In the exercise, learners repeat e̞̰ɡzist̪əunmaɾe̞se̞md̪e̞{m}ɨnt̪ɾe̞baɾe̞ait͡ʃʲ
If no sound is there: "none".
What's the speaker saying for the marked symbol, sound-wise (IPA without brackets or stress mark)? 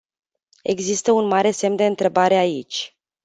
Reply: none